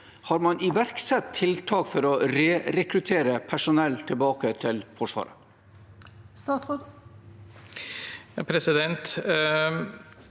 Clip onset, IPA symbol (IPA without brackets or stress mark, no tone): h